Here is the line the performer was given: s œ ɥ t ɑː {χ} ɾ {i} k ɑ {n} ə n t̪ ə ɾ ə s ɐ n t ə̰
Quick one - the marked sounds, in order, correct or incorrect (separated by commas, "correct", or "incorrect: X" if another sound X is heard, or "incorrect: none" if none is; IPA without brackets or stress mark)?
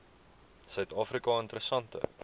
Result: incorrect: f, correct, incorrect: none